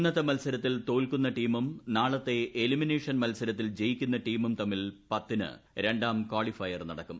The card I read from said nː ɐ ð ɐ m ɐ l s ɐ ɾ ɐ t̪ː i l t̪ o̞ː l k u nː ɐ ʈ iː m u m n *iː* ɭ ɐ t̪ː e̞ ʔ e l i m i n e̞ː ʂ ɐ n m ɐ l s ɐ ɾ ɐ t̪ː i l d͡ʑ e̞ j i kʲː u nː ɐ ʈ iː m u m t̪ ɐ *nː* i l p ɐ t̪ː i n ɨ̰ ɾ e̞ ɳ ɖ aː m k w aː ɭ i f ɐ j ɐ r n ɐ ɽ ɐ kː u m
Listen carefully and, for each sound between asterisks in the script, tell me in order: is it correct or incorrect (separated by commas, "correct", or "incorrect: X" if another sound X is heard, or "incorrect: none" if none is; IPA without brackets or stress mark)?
incorrect: aː, incorrect: mː